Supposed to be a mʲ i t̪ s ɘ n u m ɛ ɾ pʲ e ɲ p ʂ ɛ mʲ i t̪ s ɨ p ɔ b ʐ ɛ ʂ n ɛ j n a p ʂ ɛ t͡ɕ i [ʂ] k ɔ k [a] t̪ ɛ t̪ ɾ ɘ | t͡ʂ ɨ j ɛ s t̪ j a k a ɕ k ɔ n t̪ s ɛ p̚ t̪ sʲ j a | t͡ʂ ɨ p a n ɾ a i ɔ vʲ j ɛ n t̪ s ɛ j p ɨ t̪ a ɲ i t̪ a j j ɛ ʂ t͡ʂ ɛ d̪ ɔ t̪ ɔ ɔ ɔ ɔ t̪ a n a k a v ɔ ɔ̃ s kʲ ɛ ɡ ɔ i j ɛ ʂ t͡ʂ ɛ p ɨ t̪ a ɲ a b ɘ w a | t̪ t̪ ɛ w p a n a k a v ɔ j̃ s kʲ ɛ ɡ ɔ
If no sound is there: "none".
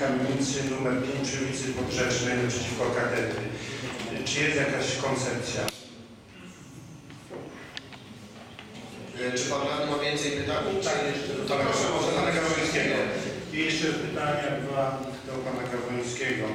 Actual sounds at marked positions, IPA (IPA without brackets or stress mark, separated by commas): f, a